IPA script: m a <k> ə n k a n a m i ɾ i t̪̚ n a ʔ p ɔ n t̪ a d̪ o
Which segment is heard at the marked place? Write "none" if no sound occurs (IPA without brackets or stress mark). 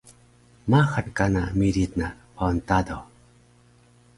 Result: x